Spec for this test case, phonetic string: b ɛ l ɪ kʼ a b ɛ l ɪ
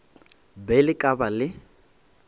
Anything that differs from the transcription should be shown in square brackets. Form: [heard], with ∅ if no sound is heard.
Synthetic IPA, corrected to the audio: b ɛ l ɪ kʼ a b [a] l ɪ

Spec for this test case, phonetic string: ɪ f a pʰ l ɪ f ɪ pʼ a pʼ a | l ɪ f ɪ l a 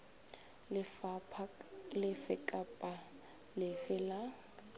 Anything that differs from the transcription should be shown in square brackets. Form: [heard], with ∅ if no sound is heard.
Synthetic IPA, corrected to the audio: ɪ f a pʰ l ɪ f ɪ [kʼ] a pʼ a | l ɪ f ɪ l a

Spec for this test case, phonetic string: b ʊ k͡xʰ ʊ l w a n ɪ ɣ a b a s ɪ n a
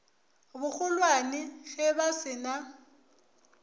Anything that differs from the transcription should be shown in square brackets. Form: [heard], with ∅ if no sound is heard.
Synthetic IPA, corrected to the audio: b ʊ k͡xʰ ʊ l w a n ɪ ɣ [ɛ] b a s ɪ n a

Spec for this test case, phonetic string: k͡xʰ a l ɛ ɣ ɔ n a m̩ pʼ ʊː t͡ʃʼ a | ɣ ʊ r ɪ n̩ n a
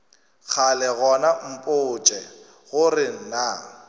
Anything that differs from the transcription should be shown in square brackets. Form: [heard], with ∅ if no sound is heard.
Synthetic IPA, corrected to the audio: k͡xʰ a l ɛ ɣ ɔ n a m̩ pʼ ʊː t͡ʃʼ [ɛ] | ɣ ʊ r ɪ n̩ n a

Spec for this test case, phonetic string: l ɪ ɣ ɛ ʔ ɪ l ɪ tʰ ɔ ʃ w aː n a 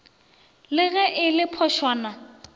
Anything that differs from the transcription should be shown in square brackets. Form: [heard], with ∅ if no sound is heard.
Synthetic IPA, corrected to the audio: l ɪ ɣ ɛ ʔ ɪ l ɪ [pʰ] ɔ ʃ w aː n a

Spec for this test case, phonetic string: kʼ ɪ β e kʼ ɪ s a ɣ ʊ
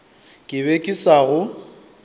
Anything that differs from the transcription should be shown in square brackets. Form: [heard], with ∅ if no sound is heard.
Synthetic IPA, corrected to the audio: kʼ ɪ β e kʼ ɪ s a ɣ ʊ

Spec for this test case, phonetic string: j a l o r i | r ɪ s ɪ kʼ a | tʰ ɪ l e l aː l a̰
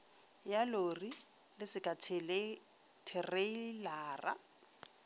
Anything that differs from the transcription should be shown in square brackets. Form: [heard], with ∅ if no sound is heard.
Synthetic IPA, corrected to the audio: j a l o r i | [l] ɪ s ɪ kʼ a | tʰ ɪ [r] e l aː [r] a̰

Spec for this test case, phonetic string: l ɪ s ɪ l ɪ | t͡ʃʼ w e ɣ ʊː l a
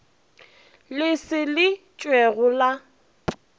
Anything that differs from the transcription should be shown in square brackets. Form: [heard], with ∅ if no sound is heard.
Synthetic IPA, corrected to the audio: l ɪ s ɪ l ɪ | t͡ʃʼ w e ɣ [ʊ] l a

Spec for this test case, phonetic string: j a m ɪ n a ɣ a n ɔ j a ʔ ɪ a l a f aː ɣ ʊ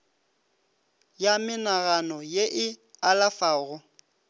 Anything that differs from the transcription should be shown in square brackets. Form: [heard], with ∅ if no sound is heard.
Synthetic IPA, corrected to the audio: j a m ɪ n a ɣ a n ɔ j [e] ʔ ɪ a l a f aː ɣ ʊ

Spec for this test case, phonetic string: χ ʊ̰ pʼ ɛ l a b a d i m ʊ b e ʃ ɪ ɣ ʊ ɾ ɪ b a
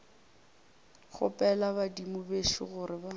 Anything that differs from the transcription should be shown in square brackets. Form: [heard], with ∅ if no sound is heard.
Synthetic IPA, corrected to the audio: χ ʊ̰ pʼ ɛ l a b a d i m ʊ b e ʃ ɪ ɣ ʊ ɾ ɪ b a

